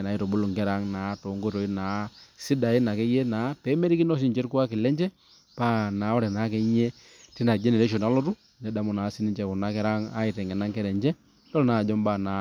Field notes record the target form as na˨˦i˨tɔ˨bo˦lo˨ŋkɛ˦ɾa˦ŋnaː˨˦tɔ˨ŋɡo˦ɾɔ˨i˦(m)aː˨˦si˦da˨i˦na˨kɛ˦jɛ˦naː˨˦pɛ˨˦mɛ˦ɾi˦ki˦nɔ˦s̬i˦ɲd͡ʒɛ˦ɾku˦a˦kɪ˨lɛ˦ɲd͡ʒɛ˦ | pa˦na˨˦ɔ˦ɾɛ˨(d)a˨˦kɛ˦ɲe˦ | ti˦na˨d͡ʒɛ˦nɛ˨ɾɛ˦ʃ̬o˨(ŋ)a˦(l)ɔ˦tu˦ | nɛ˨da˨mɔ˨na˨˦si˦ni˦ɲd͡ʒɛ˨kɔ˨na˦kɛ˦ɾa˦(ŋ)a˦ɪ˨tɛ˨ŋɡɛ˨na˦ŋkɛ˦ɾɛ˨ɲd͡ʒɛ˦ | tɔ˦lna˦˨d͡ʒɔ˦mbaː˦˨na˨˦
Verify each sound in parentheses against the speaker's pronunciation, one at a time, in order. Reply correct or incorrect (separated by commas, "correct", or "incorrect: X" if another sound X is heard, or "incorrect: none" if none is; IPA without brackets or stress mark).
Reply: incorrect: n, incorrect: n, incorrect: n, correct, correct